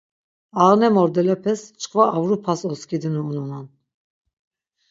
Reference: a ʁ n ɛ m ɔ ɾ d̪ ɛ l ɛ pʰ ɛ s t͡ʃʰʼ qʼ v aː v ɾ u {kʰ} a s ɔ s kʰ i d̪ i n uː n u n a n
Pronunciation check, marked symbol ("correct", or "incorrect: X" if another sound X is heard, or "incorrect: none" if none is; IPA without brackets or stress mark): incorrect: pʰ